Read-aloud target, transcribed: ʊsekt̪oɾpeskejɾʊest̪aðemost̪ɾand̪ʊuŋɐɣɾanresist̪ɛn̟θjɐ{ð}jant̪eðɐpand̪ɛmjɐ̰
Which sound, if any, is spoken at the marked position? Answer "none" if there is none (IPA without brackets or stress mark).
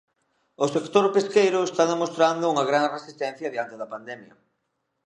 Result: ð